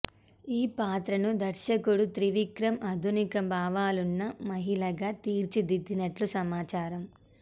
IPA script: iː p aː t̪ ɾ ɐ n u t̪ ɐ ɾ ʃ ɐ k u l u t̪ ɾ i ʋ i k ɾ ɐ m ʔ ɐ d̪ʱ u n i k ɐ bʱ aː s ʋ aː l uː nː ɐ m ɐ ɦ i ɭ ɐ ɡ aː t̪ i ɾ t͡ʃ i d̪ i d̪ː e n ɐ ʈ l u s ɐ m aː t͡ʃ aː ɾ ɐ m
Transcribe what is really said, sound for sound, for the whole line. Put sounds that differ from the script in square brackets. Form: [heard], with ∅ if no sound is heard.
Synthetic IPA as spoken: iː p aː t̪ ɾ ɐ n u [d̪] ɐ ɾ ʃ ɐ k u [ɽ] u t̪ ɾ i ʋ i k ɾ ɐ m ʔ ɐ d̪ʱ u n i k ɐ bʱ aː [∅] ʋ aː l [u] nː ɐ m ɐ ɦ i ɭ ɐ ɡ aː t̪ [iː] ɾ t͡ʃ i d̪ i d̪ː [i] n ɐ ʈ l u s ɐ m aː t͡ʃ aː ɾ ɐ m